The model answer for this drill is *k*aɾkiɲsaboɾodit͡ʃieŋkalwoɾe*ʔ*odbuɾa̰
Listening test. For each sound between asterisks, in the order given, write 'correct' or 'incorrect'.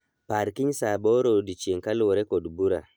incorrect: p, incorrect: k

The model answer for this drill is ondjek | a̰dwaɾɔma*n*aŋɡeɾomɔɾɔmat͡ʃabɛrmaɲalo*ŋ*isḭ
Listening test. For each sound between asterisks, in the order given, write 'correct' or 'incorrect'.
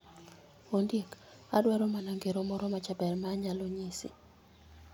correct, incorrect: ɲ

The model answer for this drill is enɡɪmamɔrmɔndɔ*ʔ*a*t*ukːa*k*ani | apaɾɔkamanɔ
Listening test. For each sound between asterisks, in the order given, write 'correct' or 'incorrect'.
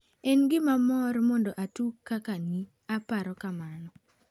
correct, correct, correct

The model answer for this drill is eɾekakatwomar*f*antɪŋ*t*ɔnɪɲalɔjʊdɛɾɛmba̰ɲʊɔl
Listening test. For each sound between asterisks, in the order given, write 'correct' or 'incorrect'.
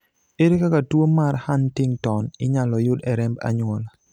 incorrect: h, correct

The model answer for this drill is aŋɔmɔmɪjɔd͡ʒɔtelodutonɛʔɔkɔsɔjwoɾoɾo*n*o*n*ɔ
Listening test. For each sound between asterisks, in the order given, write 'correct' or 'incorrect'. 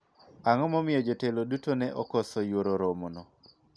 incorrect: m, correct

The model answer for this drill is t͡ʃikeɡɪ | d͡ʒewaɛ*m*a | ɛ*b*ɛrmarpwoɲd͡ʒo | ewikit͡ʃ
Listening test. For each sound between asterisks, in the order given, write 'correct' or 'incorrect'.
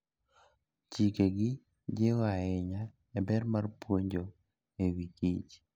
incorrect: ɲ, correct

